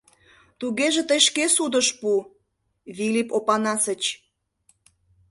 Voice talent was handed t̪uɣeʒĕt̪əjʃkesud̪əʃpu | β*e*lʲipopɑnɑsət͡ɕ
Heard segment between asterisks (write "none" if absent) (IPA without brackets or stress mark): i